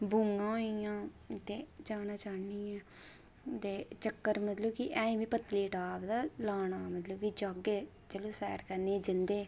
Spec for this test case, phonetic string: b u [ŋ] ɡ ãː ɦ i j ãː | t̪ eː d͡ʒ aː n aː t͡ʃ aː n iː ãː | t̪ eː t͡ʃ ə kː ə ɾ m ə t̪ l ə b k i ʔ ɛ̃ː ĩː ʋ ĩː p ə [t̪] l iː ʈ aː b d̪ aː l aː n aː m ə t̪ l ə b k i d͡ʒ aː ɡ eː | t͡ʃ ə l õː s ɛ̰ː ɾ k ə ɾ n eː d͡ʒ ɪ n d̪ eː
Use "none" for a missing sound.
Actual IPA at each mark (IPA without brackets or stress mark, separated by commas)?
ŋ, t̪